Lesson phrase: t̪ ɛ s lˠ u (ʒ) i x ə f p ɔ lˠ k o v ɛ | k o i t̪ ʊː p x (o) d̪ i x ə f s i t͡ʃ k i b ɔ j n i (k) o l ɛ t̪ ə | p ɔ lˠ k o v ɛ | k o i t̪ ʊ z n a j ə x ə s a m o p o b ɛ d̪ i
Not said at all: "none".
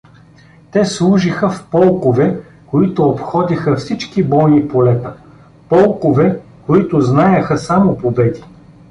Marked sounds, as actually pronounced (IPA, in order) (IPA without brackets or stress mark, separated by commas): ʒ, ɔ, p